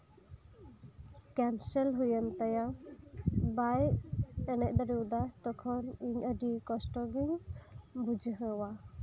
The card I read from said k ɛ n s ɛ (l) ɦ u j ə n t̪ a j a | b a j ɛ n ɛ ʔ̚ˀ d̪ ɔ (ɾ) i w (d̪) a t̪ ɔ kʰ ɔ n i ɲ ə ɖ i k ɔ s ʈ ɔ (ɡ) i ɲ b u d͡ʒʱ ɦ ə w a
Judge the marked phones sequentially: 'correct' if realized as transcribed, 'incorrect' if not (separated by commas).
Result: correct, correct, correct, correct